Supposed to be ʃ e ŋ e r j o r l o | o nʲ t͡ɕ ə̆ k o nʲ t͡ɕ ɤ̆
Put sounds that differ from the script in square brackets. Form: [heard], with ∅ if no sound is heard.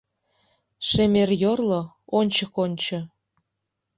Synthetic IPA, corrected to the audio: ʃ e [m] e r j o r l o | o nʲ t͡ɕ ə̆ k o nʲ t͡ɕ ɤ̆